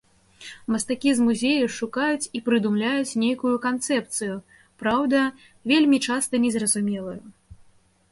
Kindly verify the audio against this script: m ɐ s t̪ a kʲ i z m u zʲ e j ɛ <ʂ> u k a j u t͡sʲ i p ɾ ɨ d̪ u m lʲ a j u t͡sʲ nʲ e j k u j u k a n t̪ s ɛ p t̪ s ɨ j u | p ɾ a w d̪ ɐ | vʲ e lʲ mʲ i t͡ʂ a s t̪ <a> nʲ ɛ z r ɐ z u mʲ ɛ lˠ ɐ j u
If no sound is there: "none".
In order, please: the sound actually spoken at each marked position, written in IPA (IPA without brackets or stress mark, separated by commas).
ʂ, ɐ